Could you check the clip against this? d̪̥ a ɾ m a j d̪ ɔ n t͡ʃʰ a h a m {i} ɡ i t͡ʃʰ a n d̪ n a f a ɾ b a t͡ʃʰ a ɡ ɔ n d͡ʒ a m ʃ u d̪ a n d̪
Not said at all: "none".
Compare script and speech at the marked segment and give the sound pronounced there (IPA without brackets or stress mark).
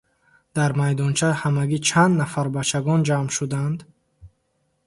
a